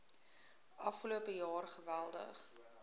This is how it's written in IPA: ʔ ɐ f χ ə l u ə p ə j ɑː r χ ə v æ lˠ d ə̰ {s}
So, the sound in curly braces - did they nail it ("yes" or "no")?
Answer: no